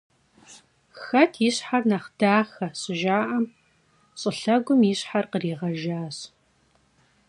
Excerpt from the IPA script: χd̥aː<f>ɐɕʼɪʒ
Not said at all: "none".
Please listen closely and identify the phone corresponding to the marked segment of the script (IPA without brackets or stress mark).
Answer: x